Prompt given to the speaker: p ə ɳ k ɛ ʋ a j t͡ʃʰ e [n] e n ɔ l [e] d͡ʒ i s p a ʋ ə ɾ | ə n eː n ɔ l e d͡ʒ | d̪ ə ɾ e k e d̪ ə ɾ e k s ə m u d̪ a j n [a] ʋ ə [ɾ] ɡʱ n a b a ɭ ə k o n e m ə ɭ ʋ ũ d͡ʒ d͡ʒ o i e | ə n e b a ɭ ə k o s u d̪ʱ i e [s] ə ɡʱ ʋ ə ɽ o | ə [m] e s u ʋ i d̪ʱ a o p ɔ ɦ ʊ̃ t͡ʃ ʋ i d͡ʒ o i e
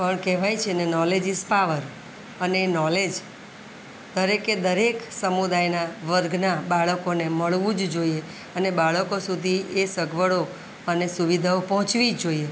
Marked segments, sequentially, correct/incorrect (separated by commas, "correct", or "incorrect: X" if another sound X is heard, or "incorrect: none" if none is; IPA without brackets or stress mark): correct, correct, correct, correct, correct, incorrect: n